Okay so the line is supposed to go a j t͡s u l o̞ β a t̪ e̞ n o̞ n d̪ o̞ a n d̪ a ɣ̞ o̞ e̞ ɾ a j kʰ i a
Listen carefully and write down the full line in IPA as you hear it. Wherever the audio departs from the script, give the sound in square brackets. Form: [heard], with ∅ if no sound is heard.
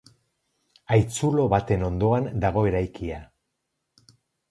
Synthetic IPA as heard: a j t͡s u l o̞ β a t̪ e̞ n o̞ n d̪ o̞ a n d̪ a ɣ̞ o̞ e̞ ɾ a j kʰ i a